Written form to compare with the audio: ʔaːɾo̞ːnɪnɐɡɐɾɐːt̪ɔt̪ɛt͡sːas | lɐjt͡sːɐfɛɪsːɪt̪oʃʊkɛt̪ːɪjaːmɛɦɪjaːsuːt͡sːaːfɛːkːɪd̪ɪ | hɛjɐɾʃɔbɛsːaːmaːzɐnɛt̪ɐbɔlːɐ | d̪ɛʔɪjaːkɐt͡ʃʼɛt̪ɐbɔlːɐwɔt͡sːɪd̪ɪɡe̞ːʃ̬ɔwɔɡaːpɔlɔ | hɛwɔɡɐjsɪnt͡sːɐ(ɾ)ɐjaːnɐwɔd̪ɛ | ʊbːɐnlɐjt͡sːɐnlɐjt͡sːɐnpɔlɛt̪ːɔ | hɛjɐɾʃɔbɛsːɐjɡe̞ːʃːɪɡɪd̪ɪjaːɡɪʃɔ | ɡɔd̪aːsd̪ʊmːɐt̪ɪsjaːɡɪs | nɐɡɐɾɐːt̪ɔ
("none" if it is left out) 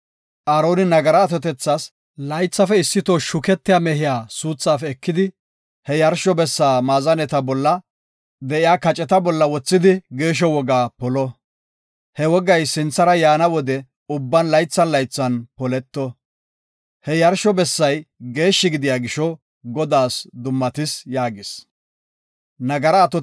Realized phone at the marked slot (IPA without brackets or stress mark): ɾ